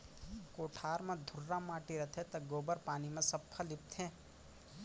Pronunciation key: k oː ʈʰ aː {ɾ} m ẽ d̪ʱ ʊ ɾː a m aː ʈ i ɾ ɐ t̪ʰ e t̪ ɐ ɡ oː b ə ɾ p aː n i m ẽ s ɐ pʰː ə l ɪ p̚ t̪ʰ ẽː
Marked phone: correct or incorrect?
correct